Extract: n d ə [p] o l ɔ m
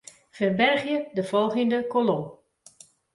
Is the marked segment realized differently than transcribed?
yes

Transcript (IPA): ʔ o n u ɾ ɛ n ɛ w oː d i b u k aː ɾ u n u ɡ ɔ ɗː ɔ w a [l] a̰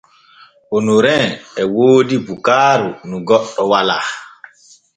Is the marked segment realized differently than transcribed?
no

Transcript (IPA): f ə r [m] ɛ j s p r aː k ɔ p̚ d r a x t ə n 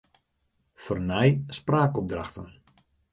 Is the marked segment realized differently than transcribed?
yes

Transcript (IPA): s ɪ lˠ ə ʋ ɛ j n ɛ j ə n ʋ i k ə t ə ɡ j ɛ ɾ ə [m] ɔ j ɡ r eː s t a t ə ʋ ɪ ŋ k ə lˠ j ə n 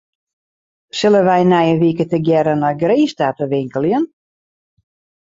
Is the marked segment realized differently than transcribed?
yes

